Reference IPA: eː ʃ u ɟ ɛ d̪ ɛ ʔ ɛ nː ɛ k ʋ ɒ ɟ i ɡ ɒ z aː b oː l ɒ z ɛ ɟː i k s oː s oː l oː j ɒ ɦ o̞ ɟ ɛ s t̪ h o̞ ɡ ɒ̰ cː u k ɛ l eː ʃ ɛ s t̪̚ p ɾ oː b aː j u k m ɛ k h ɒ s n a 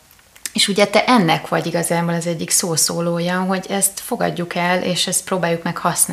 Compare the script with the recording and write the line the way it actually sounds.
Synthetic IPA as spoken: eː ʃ u ɟ ɛ t̪ ɛ ʔ ɛ nː ɛ k ʋ ɒ ɟ i ɡ ɒ z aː b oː l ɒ z ɛ ɟː i k s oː s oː l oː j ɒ ɦ o̞ ɟ ɛ s t̪ f o̞ ɡ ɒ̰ ɟː u k ɛ l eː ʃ ɛ s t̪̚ p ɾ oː b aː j u k m ɛ k h ɒ s n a